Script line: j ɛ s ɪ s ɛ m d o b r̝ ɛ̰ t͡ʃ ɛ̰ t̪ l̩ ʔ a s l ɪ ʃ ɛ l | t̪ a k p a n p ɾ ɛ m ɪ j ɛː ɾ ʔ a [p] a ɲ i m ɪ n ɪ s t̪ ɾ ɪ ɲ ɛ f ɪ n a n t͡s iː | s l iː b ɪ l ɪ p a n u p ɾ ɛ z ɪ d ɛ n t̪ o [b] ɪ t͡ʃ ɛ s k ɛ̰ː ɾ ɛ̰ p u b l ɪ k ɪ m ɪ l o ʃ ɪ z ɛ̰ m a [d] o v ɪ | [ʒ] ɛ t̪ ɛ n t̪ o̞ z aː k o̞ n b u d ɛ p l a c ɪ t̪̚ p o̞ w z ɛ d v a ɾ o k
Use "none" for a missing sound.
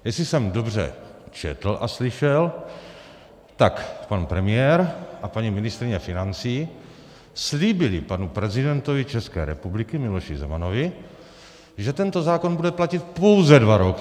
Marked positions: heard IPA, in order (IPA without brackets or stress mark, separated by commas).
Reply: p, v, n, ʒ